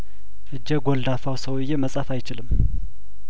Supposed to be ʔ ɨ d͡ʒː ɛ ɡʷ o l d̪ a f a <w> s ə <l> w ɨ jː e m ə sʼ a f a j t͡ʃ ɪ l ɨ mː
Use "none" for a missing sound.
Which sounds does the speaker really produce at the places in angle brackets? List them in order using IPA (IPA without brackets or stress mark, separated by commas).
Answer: w, none